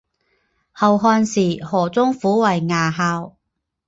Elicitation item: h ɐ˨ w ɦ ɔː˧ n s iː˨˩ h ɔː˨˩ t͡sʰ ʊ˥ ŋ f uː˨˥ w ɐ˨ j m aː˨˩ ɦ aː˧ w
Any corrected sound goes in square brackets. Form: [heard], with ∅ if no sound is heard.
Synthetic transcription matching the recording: h ɐ˨ w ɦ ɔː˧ n s iː˨˩ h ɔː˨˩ [t͡s] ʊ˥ ŋ f uː˨˥ w ɐ˨ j [ŋ] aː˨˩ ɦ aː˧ w

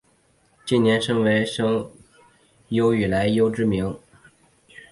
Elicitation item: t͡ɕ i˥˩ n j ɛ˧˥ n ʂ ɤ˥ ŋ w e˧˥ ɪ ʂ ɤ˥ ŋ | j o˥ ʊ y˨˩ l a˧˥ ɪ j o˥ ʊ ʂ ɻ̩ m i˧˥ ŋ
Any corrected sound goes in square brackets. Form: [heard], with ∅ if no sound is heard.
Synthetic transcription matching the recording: t͡ɕ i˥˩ n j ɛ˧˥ n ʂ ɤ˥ ŋ w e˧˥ ɪ ʂ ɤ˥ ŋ | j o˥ ʊ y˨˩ l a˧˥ ɪ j o˥ ʊ [ʈ͡ʂ] ɻ̩ m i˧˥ ŋ

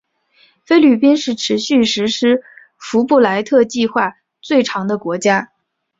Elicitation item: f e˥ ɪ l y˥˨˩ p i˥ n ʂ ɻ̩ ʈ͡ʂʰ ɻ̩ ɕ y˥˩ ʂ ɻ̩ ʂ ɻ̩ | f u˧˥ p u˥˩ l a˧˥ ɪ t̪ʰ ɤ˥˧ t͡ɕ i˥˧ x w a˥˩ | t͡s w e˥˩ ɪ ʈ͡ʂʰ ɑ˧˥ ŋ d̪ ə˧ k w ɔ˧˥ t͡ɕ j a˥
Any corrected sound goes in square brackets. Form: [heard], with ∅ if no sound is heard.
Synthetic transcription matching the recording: f e˥ ɪ l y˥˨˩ p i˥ n ʂ ɻ̩ ʈ͡ʂʰ ɻ̩ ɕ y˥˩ ʂ ɻ̩ ʂ ɻ̩ | f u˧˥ p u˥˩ l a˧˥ ɪ t̪ʰ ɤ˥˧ t͡ɕ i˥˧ x w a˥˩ | t͡s w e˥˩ ɪ ʈ͡ʂʰ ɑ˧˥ ŋ d̪ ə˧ k w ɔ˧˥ t͡ɕ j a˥

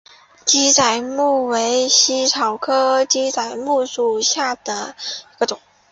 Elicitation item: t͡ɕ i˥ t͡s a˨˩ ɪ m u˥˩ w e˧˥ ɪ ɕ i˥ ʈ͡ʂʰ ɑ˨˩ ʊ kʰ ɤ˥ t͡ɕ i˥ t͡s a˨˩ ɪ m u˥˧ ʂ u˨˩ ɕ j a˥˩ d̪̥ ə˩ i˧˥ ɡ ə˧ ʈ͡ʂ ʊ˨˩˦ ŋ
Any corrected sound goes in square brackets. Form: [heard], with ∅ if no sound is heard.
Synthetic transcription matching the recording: t͡ɕ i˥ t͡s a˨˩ ɪ m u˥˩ w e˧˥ ɪ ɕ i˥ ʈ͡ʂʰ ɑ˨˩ ʊ kʰ ɤ˥ t͡ɕ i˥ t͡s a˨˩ ɪ m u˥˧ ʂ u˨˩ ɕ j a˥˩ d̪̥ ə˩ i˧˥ ɡ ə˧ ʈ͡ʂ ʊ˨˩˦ ŋ

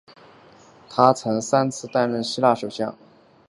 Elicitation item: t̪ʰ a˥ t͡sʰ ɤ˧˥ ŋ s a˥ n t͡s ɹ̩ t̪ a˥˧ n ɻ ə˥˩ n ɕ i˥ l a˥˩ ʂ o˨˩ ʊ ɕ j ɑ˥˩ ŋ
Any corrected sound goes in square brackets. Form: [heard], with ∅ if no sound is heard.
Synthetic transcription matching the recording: t̪ʰ a˥ t͡sʰ ɤ˧˥ ŋ s a˥ n [t͡sʰ] ɹ̩ t̪ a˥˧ n ɻ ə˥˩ n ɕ i˥ l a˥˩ ʂ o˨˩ ʊ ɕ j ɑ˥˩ ŋ

